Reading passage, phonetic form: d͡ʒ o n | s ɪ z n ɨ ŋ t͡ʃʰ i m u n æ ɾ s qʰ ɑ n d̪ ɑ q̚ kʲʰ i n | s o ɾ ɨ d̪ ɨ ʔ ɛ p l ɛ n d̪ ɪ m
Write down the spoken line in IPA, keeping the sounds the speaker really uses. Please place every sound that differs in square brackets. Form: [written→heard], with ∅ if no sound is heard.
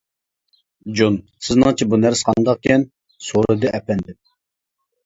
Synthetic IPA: d͡ʒ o n | s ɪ z n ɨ ŋ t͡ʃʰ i [m→b] u n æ ɾ s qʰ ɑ n d̪ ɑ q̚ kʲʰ [i→ɛ] n | s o ɾ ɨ d̪ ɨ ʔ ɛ p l ɛ n d̪ ɪ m